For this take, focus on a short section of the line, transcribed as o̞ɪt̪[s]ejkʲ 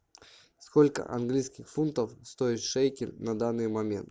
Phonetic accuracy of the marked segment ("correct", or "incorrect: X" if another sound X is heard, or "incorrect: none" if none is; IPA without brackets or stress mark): incorrect: ʂ